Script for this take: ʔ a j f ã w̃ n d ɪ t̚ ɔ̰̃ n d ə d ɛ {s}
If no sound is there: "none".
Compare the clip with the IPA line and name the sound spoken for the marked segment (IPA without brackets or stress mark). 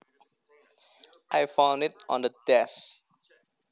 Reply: s